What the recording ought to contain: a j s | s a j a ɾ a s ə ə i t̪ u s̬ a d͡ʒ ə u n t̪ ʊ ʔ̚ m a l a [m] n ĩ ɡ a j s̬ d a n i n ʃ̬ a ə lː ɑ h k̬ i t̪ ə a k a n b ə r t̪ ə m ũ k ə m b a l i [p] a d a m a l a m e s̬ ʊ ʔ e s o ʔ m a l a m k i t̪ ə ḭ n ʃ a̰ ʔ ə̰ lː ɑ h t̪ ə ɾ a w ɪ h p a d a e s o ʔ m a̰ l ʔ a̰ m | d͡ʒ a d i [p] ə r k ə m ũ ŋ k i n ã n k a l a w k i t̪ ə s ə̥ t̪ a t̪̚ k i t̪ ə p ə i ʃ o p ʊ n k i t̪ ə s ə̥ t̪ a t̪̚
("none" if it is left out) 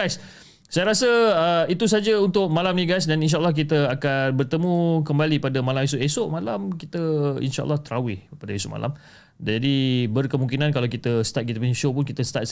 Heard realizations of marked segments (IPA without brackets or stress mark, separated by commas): m, p, b